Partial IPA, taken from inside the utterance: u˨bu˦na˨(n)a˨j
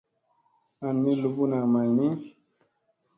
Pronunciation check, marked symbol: incorrect: m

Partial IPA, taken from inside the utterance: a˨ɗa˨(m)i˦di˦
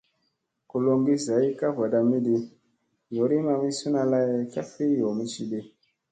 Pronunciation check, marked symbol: correct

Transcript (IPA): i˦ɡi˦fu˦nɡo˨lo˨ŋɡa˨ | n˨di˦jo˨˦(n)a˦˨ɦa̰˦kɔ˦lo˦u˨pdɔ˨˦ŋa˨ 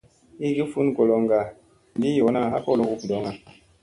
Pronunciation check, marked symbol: correct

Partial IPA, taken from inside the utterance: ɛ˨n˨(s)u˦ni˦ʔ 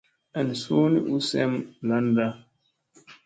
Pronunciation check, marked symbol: correct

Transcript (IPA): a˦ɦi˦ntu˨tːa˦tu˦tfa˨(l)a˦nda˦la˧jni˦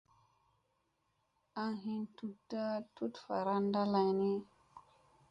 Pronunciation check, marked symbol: incorrect: ɾ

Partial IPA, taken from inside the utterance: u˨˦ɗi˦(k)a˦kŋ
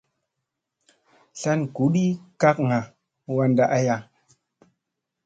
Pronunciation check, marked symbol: correct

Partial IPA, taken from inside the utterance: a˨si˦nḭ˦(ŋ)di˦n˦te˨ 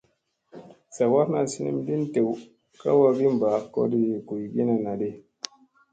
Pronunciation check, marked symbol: incorrect: m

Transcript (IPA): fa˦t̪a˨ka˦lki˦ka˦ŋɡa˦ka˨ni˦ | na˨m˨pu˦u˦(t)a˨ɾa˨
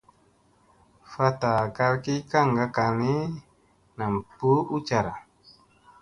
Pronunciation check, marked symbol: incorrect: t͡ʃ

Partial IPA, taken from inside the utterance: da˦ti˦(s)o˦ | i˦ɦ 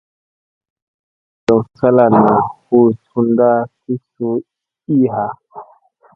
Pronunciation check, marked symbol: correct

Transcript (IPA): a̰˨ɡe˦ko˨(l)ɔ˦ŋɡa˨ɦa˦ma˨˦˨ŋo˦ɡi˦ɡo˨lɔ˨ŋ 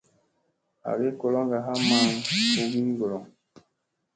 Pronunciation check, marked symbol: correct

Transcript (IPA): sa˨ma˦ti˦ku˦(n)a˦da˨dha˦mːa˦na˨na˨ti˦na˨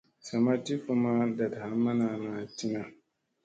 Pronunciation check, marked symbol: incorrect: m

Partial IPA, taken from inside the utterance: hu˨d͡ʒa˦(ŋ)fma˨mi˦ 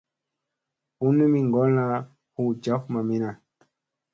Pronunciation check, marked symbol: incorrect: none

